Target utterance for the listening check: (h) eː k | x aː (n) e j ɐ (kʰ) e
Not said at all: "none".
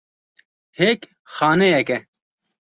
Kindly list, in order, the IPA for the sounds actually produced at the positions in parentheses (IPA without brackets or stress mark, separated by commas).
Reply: h, n, k